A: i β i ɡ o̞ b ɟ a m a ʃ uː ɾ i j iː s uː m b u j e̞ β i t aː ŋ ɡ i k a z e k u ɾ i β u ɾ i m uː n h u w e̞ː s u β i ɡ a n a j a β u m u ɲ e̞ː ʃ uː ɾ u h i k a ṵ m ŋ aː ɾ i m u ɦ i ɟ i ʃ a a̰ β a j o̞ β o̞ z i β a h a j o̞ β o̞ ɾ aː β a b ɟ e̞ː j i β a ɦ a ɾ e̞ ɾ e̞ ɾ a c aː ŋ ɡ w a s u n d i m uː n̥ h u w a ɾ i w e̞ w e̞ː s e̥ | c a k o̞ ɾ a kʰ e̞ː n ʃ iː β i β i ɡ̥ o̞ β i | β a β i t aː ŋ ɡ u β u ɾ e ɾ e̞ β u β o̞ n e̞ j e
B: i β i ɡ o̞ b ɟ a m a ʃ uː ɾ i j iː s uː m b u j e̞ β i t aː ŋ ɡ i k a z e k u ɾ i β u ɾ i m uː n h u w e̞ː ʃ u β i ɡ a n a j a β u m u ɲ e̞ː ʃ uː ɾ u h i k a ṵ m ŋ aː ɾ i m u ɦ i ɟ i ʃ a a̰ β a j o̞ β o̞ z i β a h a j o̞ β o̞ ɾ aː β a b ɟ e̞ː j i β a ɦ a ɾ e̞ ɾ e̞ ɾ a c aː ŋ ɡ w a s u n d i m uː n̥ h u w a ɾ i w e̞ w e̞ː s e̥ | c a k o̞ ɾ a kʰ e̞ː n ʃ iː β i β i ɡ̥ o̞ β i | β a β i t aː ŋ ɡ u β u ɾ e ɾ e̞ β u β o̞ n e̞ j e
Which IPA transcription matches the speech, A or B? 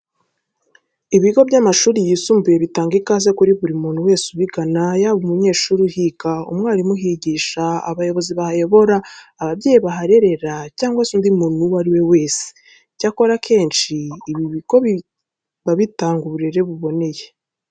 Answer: A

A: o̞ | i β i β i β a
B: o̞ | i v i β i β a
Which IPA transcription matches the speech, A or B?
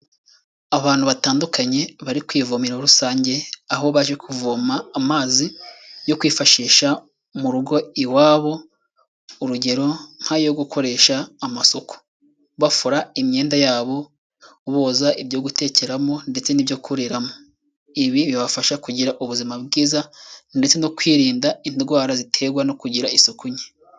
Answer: A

